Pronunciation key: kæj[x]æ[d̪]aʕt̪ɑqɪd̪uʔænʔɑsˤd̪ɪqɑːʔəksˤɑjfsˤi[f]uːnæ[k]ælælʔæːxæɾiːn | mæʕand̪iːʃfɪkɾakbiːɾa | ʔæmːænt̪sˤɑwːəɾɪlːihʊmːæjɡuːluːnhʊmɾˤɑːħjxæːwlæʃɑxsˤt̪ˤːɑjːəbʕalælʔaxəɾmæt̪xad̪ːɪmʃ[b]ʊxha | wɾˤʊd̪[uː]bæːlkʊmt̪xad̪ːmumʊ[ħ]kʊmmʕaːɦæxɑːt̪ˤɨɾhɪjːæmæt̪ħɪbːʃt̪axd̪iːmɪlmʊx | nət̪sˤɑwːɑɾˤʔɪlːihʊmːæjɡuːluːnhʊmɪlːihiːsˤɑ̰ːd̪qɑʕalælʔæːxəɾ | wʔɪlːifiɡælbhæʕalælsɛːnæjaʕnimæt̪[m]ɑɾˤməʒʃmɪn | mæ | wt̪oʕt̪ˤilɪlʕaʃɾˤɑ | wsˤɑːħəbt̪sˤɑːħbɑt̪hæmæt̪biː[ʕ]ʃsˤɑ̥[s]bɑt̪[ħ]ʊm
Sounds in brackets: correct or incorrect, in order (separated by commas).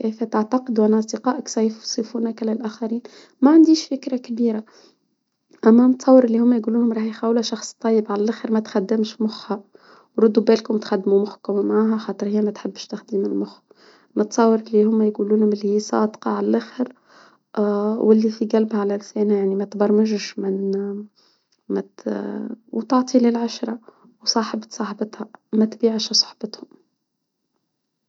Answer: incorrect, incorrect, correct, correct, incorrect, incorrect, correct, incorrect, correct, incorrect, incorrect